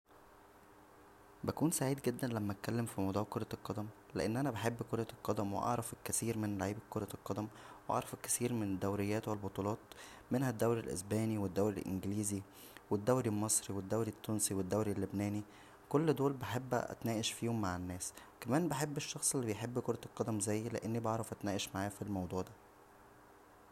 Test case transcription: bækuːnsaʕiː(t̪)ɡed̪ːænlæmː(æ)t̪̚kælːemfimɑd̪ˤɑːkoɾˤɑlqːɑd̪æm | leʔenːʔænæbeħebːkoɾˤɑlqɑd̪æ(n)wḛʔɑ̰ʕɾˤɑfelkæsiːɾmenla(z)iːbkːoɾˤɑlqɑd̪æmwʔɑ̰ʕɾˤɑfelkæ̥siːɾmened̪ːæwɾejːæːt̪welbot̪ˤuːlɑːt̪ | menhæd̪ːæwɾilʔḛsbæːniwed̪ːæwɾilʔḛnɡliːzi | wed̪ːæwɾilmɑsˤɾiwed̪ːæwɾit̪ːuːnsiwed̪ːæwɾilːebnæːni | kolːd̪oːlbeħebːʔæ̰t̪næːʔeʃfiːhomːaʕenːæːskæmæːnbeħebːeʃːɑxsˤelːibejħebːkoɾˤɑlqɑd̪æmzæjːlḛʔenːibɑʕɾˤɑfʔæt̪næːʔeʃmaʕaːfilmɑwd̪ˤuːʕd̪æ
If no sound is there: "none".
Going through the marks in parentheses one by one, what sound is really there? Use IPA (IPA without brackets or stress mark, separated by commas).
d̪, æ, m, ʕ